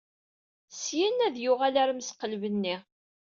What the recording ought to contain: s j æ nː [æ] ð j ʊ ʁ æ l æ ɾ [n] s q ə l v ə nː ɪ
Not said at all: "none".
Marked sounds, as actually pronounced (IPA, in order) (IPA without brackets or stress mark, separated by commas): æ, m